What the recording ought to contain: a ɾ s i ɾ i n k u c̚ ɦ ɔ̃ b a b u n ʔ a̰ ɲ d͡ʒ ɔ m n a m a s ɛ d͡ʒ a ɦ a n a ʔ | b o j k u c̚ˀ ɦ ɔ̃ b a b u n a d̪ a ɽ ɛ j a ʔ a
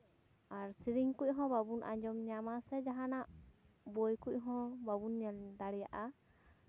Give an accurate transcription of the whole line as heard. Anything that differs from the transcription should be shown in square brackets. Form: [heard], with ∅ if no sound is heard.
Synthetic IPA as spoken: a ɾ s i ɾ i [ŋ] k u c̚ ɦ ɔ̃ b a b u n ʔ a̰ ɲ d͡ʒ ɔ m [ɲ] a m a s ɛ d͡ʒ a ɦ a n a ʔ | b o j k u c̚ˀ ɦ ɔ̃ b a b u n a d̪ a ɽ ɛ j a ʔ a

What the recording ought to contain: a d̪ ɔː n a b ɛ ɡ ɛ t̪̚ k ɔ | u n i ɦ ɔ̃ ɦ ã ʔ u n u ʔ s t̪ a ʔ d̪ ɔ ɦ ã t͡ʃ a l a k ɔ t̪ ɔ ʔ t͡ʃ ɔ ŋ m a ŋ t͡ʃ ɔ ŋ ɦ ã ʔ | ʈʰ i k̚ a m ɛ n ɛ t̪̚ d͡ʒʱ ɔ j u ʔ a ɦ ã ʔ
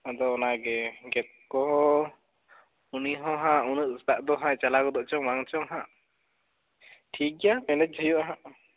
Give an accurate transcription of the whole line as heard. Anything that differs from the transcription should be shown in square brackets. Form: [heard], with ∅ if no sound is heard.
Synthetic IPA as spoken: a d̪ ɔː n a [ɡ] ɛ ɡ ɛ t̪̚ k ɔ | u n i ɦ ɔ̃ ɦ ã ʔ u n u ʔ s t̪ a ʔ d̪ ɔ ɦ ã t͡ʃ a l a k ɔ [d̪] ɔ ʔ t͡ʃ ɔ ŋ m a ŋ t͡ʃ ɔ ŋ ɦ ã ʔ | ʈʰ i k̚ a m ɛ n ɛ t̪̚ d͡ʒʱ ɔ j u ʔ a ɦ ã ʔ

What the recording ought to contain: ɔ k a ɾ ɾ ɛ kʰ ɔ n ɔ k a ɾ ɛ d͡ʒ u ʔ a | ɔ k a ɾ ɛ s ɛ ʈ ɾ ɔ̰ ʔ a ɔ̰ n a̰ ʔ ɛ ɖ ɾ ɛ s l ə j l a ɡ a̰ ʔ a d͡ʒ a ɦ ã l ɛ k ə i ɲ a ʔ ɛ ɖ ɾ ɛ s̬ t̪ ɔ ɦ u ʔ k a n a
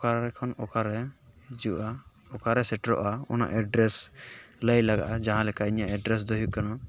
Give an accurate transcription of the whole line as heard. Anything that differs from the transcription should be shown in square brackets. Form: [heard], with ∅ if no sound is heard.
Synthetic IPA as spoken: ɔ k a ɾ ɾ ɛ kʰ ɔ n ɔ k a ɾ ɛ d͡ʒ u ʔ a | ɔ k a ɾ ɛ s ɛ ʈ ɾ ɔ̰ ʔ a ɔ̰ n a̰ ʔ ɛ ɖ ɾ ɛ s l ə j l a ɡ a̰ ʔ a d͡ʒ a ɦ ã l ɛ k [a] i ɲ a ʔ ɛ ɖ ɾ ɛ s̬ [d̪] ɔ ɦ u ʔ k a n a

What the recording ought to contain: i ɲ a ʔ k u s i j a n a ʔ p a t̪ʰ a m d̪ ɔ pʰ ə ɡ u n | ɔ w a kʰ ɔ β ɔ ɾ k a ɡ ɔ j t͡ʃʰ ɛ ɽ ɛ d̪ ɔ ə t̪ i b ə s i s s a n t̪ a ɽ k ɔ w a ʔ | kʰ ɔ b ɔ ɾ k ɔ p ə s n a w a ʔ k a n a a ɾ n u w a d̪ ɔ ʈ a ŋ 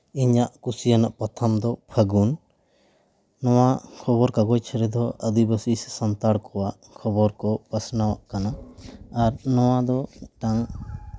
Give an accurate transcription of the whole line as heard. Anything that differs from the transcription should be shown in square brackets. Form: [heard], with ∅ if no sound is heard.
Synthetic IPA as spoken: i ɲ a ʔ k u s i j a n a ʔ p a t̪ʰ a m d̪ ɔ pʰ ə ɡ u n | ɔ w a kʰ ɔ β ɔ ɾ k a ɡ ɔ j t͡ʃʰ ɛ [ɾ] ɛ d̪ ɔ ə [d̪] i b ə s i s s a n t̪ a ɽ k ɔ w a ʔ | kʰ ɔ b ɔ ɾ k ɔ p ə s n a w a ʔ k a n a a ɾ n [ɔ] w a d̪ ɔ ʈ a ŋ

